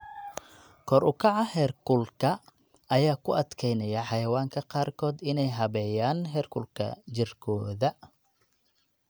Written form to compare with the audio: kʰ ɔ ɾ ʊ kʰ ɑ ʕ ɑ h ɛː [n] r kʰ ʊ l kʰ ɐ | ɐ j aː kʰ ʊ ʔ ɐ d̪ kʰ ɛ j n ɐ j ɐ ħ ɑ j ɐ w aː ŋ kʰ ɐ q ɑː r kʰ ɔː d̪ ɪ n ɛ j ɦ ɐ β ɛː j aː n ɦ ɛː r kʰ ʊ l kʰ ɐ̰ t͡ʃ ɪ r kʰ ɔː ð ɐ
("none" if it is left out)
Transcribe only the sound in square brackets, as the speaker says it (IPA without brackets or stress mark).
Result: none